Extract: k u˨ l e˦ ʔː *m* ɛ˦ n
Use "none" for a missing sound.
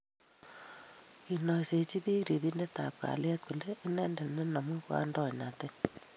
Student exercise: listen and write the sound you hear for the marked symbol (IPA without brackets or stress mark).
n